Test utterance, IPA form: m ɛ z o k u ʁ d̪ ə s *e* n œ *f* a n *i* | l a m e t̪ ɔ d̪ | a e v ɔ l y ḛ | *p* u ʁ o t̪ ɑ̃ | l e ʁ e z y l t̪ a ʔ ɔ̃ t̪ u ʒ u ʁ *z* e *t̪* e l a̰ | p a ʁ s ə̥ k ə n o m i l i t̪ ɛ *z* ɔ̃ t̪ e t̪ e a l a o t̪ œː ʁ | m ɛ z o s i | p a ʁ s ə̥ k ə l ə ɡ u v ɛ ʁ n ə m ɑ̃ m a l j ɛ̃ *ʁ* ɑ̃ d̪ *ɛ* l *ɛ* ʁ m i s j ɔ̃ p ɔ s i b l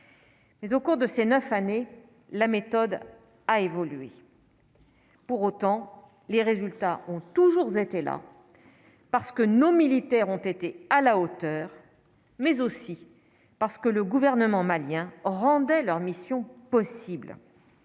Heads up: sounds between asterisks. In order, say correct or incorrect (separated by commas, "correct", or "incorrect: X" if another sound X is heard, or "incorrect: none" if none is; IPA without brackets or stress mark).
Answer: correct, correct, incorrect: e, correct, correct, correct, incorrect: ʁ, correct, correct, incorrect: œ